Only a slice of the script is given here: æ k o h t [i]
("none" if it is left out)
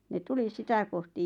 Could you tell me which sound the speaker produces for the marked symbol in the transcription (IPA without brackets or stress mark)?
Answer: i